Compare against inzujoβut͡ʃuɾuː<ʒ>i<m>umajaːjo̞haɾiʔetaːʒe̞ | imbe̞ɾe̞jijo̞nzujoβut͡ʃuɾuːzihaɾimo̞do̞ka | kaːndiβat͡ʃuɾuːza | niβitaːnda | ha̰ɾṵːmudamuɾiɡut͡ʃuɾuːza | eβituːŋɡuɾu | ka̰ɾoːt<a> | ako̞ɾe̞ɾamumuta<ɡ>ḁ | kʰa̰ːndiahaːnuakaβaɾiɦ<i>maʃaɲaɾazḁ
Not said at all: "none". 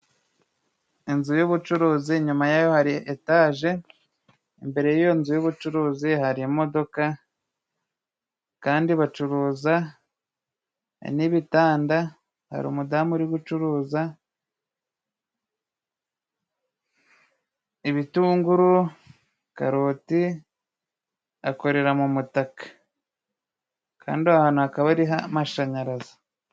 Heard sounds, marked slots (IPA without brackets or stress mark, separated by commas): z, ɲ, i, k, a